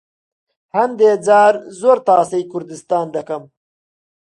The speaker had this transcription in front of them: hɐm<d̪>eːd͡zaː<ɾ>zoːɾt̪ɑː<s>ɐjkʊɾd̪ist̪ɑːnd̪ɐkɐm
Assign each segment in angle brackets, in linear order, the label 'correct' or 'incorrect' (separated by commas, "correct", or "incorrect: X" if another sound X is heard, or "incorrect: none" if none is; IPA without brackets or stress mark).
correct, correct, correct